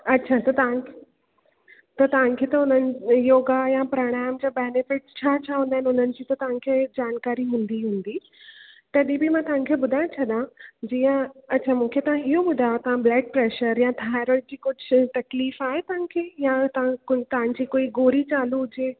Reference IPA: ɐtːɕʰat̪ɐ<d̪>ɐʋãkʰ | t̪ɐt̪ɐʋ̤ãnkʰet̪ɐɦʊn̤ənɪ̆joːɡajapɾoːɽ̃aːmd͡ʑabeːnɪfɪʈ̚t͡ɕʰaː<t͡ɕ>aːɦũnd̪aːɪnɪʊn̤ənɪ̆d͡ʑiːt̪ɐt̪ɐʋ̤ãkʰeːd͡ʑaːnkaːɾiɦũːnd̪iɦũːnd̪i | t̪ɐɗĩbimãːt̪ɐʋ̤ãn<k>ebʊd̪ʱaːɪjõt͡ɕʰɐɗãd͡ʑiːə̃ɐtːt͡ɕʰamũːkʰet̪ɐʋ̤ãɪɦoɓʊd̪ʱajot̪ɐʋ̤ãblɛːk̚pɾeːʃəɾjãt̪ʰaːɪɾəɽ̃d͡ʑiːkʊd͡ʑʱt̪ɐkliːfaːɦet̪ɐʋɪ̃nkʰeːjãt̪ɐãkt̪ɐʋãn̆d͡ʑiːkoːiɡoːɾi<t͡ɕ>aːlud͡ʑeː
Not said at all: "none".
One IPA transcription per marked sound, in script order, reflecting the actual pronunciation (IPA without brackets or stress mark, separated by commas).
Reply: t̪, t͡ɕʰ, kʰ, t͡ɕ